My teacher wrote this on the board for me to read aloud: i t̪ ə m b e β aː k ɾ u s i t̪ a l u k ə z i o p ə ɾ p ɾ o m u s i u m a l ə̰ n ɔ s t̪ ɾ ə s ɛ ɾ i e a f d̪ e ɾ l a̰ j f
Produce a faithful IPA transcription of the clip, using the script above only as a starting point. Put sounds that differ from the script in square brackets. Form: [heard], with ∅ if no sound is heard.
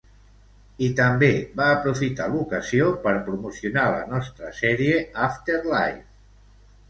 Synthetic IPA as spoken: i t̪ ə m b e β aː [p] ɾ u [f] i t̪ a l u k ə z i o p ə ɾ p ɾ [u] m u s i u [n] a l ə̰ n ɔ s t̪ ɾ ə s ɛ ɾ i e a f [t̪] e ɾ l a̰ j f